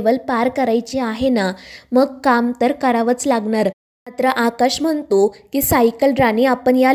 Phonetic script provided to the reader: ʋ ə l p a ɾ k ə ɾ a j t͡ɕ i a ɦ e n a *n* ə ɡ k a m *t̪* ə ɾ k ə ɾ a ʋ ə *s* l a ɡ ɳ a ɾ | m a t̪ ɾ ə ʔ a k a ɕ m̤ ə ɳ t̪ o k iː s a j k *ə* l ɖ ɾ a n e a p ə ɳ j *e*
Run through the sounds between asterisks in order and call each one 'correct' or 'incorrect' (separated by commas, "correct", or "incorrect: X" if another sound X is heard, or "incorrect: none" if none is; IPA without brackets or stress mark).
incorrect: m, correct, incorrect: t͡s, correct, incorrect: a